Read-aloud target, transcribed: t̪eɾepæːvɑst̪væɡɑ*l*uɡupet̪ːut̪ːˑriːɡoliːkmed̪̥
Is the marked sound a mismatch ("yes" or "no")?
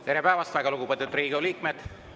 no